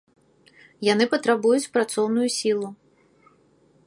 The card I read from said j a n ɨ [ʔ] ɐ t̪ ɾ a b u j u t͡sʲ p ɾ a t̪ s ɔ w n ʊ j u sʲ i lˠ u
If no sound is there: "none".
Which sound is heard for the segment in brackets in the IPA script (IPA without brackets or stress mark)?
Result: p